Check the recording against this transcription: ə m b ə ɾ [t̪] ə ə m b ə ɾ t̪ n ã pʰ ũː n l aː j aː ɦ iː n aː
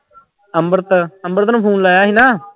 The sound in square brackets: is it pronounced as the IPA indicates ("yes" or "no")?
yes